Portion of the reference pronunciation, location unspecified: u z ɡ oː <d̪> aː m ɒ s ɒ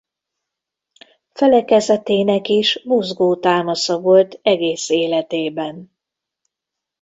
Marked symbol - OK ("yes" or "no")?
no